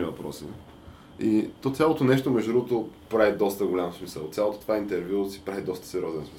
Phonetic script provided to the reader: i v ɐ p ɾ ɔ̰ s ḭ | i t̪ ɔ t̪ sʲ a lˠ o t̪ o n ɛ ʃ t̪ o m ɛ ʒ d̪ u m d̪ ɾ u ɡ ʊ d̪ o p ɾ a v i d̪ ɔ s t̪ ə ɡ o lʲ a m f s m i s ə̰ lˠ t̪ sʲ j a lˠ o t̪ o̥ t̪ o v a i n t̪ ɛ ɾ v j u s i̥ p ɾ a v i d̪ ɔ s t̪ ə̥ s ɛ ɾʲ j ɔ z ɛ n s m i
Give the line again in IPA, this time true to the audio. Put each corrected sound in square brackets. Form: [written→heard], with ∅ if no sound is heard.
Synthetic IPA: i v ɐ p ɾ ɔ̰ s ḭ | i t̪ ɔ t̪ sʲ a lˠ o t̪ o n ɛ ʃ t̪ o m ɛ ʒ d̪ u [m→∅] d̪ ɾ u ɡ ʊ [d̪→t̪] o p ɾ a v i d̪ ɔ s t̪ ə ɡ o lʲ a m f s m i s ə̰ lˠ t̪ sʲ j a lˠ o t̪ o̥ t̪ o v a i n t̪ ɛ ɾ v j u s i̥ p ɾ a v i d̪ ɔ s t̪ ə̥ s ɛ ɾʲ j ɔ z ɛ n s m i